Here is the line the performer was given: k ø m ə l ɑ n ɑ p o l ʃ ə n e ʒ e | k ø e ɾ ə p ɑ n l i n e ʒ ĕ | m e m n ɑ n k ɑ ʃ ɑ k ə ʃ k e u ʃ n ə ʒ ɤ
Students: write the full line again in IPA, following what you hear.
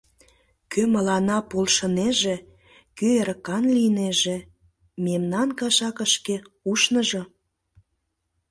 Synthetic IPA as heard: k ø m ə l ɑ n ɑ p o l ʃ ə n e ʒ e | k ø e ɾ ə k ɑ n l i n e ʒ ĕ | m e m n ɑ n k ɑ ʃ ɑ k ə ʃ k e u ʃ n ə ʒ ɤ